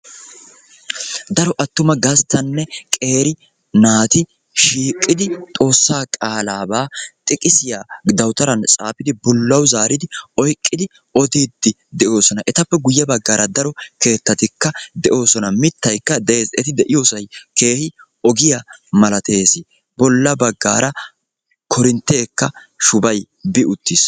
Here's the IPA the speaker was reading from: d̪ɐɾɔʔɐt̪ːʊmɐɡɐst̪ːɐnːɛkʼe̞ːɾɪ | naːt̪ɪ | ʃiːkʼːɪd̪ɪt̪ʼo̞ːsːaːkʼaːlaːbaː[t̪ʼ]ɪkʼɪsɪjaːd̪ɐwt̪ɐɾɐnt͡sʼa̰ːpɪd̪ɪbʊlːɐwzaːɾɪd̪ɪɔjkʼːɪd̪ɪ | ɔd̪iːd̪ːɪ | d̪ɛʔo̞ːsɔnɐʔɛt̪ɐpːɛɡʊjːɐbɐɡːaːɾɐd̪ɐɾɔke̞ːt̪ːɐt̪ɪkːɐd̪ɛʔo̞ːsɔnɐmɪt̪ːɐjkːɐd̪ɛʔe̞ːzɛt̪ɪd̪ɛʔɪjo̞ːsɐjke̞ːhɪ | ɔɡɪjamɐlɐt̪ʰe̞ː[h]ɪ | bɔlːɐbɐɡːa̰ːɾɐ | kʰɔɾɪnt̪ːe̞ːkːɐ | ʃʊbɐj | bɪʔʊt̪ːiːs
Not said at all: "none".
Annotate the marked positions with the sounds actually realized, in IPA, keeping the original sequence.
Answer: t̪ʼ, s

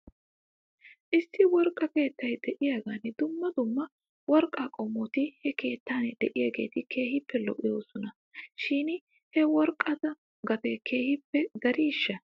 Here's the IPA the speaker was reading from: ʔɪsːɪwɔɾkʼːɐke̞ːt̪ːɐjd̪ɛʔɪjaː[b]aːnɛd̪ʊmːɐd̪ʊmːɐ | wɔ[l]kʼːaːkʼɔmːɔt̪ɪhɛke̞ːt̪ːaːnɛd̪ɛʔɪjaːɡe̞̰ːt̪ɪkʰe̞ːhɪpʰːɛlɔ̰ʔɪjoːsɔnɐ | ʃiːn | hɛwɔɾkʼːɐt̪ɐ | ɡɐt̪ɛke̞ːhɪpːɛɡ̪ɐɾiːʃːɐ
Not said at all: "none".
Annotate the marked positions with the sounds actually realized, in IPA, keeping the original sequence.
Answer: ɡ, ɾ

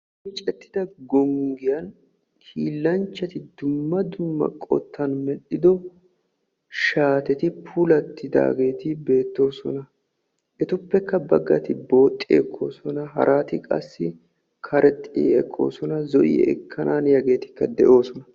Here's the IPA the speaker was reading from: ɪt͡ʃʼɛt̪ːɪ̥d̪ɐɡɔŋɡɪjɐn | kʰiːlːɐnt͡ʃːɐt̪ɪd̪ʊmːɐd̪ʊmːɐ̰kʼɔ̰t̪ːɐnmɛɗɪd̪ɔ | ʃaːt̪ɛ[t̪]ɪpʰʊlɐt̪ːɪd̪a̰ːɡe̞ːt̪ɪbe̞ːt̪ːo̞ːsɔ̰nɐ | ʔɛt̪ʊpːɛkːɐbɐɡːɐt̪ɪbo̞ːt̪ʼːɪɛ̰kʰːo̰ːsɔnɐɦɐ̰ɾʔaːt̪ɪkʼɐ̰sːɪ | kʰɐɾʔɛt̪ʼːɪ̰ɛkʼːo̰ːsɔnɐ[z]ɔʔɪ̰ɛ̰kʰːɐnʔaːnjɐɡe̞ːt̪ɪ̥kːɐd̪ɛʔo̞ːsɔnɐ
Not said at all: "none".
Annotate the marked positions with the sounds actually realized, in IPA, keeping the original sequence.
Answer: t̪, z

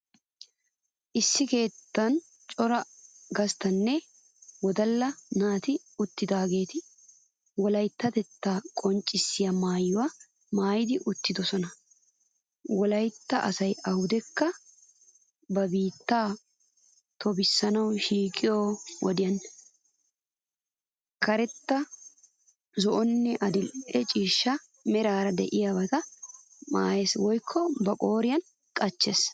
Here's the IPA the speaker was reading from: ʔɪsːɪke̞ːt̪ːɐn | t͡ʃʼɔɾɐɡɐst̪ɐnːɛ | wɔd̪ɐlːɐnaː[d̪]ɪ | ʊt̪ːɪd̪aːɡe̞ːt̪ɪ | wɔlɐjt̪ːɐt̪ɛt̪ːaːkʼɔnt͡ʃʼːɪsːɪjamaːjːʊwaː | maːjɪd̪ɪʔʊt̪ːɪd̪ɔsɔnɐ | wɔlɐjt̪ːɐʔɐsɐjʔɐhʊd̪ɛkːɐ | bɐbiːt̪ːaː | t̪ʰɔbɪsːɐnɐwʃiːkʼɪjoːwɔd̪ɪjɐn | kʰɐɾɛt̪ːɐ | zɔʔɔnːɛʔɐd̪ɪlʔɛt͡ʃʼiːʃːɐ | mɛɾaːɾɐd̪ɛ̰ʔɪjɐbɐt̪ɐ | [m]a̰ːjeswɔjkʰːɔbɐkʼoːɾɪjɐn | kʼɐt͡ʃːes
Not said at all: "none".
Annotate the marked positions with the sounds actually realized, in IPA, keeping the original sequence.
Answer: t̪, m

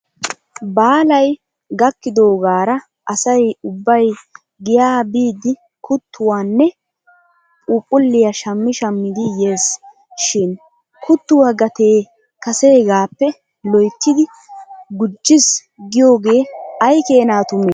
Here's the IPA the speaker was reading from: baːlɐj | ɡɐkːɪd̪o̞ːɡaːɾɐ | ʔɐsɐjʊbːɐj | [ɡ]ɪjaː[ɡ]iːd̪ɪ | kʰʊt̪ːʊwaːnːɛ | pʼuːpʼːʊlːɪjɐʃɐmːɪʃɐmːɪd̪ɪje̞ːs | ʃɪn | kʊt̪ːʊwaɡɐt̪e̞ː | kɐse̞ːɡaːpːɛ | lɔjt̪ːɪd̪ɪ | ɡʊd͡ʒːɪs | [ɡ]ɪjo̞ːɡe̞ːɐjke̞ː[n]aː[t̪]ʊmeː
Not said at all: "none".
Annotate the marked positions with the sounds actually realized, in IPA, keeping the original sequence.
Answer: ɡ, b, ɡ, n, t̪

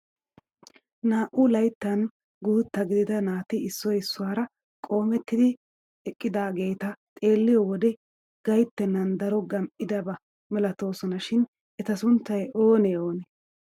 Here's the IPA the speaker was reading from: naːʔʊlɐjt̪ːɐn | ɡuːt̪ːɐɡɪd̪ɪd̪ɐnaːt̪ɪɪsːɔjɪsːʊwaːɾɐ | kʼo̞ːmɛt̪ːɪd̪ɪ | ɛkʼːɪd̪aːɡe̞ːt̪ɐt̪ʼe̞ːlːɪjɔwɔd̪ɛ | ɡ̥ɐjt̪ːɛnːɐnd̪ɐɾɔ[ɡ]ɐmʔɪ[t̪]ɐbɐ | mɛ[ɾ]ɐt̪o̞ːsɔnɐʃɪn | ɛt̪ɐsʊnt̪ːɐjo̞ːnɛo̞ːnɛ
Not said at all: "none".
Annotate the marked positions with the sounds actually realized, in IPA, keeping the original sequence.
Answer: ɡ, d̪, l

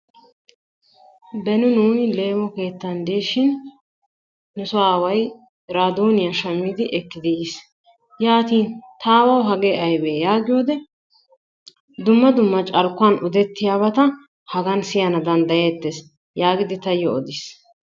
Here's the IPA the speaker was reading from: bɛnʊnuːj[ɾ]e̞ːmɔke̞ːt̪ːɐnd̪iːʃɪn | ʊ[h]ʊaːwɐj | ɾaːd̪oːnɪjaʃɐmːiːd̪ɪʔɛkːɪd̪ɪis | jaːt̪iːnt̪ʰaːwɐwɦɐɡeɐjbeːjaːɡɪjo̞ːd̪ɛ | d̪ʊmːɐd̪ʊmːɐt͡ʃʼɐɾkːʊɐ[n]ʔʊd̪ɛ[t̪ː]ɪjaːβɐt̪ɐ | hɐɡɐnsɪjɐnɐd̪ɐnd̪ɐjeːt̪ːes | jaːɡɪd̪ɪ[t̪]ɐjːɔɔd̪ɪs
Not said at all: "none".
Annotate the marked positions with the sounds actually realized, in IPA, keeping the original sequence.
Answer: l, s, n, t̪ː, t̪

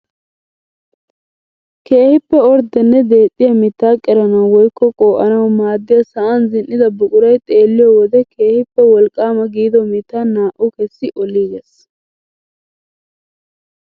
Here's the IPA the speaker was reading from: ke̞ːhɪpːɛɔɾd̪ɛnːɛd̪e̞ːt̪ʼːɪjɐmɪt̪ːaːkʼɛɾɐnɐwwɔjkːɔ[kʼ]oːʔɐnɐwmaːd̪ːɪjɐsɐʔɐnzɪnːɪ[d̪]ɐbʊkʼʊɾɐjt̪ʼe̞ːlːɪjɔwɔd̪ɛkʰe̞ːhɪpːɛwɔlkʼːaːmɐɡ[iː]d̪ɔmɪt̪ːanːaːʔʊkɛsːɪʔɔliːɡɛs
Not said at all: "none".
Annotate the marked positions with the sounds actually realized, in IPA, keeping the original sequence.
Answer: kʼ, d̪, iː

